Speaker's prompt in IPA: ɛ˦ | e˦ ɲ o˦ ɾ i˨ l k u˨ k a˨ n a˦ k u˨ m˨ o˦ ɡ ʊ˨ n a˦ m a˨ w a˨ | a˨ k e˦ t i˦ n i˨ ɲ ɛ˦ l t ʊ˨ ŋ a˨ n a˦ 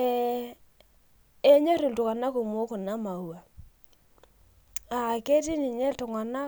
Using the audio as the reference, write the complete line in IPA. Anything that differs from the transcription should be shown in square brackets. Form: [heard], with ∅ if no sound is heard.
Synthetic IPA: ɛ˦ | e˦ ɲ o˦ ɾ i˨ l [t] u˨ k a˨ n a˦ k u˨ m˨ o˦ [k] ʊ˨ n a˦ m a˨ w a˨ | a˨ k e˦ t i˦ n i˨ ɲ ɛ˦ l t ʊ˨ ŋ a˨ n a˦